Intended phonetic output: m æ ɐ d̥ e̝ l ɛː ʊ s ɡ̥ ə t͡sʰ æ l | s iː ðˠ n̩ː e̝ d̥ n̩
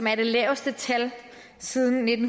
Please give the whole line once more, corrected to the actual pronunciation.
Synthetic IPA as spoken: m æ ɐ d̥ e̝ l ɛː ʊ s d̥ ə t͡sʰ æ l | s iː ðˠ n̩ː e̝ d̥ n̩